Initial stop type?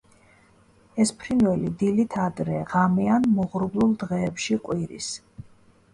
aspirated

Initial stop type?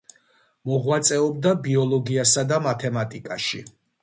plain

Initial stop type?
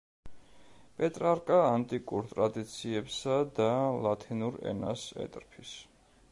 ejective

